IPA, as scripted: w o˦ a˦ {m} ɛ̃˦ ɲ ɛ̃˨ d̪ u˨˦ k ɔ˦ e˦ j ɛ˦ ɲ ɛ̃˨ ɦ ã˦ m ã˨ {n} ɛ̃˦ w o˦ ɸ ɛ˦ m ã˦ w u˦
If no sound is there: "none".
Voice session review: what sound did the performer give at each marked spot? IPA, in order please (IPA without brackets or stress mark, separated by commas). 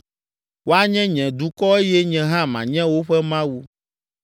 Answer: ɲ, ɲ